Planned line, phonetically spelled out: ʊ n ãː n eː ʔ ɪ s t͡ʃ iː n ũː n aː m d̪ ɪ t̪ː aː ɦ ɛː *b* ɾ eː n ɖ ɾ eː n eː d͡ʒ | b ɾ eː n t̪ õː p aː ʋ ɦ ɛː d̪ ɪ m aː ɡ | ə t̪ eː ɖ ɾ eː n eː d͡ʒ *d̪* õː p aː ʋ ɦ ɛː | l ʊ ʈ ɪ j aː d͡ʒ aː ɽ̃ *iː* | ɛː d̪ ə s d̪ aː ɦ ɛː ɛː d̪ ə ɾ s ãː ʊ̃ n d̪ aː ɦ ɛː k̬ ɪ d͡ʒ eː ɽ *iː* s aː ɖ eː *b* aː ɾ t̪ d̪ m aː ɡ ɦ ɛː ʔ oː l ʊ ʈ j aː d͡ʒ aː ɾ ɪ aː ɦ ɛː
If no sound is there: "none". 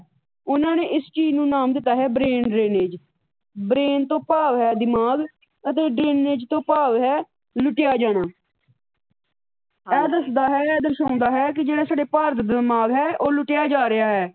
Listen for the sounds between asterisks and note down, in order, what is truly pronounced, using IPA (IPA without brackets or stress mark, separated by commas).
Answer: b, t̪, aː, aː, p